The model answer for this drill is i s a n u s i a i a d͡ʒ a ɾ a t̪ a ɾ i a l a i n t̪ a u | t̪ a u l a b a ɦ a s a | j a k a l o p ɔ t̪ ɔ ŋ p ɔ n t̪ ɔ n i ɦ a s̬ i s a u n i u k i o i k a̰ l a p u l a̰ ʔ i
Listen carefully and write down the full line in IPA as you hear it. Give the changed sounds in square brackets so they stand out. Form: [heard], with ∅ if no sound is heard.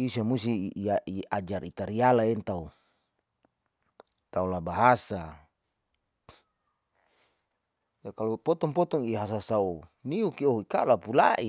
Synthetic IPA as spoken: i s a [m] u s i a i a d͡ʒ a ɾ [i] t̪ a ɾ i a l a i n t̪ a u | t̪ a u l a b a ɦ a s a | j a k a l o p ɔ t̪ ɔ ŋ p ɔ [∅] t̪ ɔ [ŋ] i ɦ a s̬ [a] s a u n i u k i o i k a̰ l a p u l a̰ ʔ i